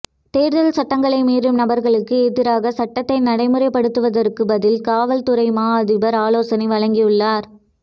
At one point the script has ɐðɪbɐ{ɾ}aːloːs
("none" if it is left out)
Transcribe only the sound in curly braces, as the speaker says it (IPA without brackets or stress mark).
ɾ